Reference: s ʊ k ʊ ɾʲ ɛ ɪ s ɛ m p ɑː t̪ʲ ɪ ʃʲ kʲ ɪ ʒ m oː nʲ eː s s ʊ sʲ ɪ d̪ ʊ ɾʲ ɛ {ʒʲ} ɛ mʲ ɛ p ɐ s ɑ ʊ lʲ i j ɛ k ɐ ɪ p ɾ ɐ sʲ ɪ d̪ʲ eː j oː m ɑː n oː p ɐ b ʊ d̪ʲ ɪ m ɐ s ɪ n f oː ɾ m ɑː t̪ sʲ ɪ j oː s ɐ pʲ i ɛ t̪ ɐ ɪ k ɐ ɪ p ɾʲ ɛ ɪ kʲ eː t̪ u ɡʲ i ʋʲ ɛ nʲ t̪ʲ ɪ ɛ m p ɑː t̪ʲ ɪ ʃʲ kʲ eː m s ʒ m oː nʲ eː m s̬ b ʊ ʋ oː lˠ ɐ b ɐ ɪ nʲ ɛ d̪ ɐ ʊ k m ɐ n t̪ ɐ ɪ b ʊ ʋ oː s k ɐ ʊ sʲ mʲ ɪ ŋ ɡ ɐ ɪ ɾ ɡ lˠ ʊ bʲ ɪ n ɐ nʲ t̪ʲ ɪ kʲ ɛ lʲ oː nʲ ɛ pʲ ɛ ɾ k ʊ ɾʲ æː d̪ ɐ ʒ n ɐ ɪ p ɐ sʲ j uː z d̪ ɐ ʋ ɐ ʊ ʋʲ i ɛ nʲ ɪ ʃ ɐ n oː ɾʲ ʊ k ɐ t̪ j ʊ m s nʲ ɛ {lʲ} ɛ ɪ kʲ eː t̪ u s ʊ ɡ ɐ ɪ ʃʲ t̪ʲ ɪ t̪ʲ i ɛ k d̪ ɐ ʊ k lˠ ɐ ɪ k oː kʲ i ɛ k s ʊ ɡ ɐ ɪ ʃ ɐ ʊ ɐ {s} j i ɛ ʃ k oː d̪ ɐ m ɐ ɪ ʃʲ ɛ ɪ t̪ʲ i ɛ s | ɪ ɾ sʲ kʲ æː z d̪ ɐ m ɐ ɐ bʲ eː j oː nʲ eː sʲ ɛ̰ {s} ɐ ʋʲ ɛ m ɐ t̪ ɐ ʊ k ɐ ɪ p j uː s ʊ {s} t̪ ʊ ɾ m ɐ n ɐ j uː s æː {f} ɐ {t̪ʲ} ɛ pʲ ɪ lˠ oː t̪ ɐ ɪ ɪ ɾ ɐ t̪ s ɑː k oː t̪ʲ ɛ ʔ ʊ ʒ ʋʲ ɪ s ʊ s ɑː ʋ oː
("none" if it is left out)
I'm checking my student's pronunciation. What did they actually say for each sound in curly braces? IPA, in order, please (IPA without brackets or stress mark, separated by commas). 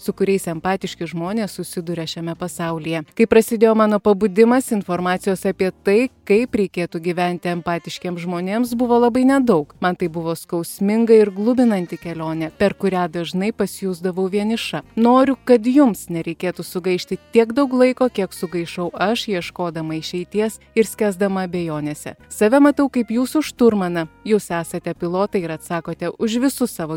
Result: ʃʲ, ɾʲ, ʃ, s, ʃ, s, t̪ʲ